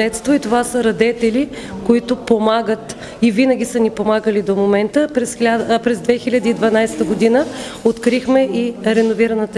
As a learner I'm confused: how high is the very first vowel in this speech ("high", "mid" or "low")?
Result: mid